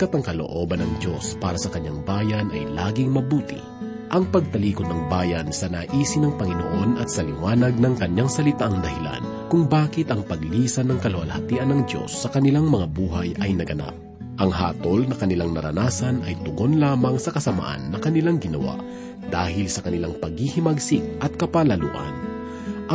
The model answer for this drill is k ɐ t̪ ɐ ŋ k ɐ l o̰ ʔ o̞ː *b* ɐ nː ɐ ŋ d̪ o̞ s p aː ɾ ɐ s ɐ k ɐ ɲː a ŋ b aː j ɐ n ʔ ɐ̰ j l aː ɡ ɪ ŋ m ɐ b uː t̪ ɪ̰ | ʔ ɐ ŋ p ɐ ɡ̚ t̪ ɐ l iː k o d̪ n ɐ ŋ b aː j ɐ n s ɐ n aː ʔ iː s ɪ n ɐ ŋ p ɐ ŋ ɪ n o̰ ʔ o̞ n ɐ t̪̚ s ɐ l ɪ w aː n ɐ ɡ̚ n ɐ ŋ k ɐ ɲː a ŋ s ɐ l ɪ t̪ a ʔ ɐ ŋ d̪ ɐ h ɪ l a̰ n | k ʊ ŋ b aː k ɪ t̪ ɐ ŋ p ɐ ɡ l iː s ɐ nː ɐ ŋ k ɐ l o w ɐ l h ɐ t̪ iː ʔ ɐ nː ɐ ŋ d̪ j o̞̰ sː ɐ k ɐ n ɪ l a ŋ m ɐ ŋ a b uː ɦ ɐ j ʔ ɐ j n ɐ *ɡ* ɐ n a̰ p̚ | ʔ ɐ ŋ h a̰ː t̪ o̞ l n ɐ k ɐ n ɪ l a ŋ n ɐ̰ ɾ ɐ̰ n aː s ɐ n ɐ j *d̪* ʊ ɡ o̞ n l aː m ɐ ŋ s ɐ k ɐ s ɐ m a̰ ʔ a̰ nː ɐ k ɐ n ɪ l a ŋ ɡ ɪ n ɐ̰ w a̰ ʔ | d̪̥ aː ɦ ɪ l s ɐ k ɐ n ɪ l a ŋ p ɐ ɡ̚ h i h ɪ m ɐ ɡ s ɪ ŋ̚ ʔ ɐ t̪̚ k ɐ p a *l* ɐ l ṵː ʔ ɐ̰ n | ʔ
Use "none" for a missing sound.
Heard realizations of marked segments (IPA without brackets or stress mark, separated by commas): b, ɡ, t̪, l